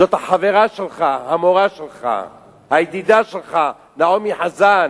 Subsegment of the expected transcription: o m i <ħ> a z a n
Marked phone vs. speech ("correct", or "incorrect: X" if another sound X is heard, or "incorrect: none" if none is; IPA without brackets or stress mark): correct